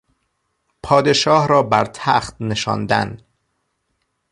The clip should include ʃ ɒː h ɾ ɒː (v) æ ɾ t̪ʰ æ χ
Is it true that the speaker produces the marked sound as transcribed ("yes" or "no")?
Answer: no